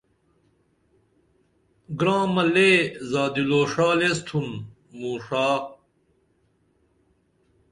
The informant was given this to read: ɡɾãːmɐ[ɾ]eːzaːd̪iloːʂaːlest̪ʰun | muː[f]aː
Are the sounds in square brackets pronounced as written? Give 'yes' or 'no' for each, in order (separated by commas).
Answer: no, no